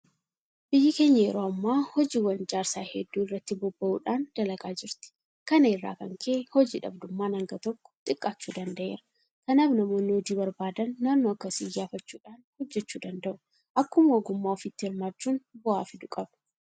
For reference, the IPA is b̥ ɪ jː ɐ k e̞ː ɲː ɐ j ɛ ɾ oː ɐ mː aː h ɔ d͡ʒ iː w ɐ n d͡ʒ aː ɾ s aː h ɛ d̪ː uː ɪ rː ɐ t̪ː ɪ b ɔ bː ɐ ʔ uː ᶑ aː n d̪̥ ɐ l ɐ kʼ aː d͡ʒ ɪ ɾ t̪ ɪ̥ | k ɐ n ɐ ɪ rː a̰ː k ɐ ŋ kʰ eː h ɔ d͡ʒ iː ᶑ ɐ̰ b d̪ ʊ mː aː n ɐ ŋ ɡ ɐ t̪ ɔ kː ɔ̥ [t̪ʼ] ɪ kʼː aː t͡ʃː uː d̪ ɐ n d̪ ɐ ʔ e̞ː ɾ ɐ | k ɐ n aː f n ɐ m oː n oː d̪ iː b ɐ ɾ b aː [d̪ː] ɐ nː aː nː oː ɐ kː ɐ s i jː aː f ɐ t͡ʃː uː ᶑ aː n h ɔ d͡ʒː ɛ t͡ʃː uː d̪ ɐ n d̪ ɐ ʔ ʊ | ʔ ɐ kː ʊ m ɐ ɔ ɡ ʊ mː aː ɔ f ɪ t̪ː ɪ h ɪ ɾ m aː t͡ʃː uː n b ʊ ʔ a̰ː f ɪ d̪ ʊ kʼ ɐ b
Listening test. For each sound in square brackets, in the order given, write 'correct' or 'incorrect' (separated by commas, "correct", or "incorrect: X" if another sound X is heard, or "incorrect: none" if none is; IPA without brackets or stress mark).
correct, incorrect: d̪